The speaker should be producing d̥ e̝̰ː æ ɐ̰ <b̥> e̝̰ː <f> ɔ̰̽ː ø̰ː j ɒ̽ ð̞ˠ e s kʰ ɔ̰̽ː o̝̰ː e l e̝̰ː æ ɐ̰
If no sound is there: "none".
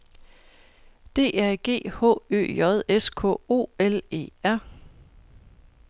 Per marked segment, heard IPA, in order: ɡ̥, h

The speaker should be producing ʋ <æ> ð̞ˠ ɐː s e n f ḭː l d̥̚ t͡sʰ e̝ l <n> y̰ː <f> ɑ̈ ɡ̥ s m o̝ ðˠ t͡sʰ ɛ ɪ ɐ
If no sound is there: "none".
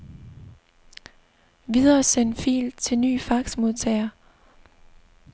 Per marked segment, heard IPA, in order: i, n, f

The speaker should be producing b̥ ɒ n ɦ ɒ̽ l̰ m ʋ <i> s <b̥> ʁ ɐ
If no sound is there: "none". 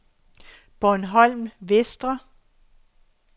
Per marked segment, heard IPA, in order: e, d̥

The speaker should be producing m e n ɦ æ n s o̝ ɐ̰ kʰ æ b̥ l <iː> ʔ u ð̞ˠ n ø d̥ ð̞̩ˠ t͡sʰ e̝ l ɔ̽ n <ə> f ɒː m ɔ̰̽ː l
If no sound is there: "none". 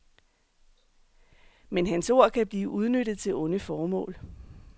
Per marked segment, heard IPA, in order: iː, ə

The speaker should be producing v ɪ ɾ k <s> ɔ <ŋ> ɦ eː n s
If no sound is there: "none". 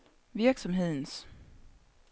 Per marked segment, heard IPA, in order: s, m

